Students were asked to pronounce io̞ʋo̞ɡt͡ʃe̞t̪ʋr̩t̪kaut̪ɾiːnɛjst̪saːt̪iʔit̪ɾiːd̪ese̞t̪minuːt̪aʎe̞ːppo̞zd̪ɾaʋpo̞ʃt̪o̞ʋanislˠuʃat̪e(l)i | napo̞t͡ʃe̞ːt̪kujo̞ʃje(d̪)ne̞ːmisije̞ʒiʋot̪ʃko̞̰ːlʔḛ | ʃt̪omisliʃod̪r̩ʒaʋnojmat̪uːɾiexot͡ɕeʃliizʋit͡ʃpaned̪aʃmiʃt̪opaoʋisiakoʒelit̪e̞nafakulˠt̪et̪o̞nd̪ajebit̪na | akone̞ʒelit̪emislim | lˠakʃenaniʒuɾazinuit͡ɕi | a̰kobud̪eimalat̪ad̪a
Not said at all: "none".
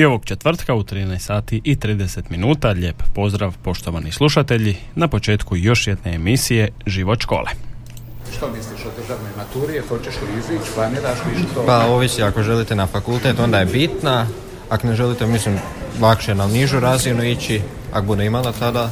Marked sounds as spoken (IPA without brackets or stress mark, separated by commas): ʎ, d̪